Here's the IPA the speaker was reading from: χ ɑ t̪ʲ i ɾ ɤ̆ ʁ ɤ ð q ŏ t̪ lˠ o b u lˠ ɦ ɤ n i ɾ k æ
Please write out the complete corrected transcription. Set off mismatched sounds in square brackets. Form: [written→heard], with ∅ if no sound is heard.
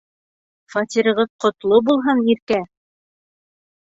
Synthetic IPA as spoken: [χ→f] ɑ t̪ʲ i ɾ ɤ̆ ʁ ɤ ð q ŏ t̪ lˠ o b u lˠ ɦ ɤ n i ɾ k æ